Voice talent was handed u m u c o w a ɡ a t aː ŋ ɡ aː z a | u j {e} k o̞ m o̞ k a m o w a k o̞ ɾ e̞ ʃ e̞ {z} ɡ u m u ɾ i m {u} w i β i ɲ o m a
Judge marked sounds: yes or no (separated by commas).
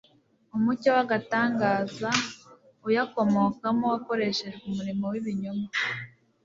no, no, no